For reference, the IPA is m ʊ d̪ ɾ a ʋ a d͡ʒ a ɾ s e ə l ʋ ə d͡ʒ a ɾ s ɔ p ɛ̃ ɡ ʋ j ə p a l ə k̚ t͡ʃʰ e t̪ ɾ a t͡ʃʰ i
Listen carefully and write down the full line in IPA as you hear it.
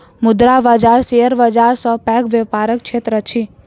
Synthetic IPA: m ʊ d̪ ɾ a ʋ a d͡ʒ a ɾ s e ə ɾ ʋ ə d͡ʒ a ɾ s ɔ p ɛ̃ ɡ ʋ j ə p a ɾ ə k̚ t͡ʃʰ e t̪ ɾ ə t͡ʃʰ i